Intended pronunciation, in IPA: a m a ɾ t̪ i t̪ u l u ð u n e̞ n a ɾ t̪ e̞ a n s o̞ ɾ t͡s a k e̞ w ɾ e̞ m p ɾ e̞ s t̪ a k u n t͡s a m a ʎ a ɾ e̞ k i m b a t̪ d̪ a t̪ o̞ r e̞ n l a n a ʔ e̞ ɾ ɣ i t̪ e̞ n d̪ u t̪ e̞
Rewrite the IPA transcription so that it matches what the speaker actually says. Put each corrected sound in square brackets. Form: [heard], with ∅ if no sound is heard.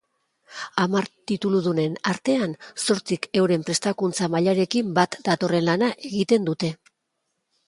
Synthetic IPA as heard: a m a ɾ t̪ i t̪ u l u ð u n e̞ n a ɾ t̪ e̞ a n s o̞ ɾ t͡s [i] k e̞ w ɾ e̞ m p ɾ e̞ s t̪ a k u n t͡s a m a ʎ a ɾ e̞ k i m b a t̪ d̪ a t̪ o̞ r e̞ n l a n a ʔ e̞ [∅] ɣ i t̪ e̞ n d̪ u t̪ e̞